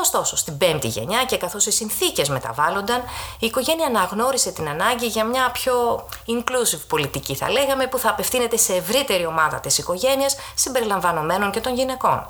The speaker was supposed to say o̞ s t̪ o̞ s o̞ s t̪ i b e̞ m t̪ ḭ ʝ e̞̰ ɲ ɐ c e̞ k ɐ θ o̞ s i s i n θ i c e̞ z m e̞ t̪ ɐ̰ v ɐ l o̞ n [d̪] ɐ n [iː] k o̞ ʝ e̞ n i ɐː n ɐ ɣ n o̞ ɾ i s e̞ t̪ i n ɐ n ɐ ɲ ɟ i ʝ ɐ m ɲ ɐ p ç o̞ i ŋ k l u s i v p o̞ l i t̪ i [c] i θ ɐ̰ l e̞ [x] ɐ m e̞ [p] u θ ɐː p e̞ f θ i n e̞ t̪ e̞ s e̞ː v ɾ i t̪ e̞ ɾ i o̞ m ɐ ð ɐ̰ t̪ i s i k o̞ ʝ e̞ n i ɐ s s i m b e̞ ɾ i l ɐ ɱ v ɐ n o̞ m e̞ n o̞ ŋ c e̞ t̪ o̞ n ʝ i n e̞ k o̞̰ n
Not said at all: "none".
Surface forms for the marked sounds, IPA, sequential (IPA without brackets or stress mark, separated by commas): d̪, iː, c, ɣ, p